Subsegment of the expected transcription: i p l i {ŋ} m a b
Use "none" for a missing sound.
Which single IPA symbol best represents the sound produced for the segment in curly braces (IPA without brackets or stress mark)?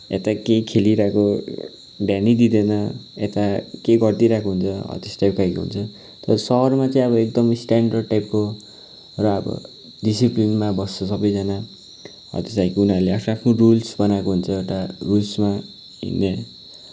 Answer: n